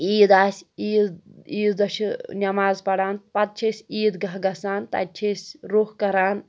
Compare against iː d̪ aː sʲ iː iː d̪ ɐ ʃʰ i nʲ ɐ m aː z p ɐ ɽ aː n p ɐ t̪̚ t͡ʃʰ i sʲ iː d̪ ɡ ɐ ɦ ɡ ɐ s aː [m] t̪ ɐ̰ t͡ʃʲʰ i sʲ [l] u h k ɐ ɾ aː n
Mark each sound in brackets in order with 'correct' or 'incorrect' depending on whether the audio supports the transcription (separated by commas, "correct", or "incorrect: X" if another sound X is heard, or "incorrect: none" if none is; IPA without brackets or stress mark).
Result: incorrect: n, incorrect: ɾ